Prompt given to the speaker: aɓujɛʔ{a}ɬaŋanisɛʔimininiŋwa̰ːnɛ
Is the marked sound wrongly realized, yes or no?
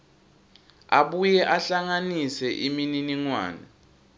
no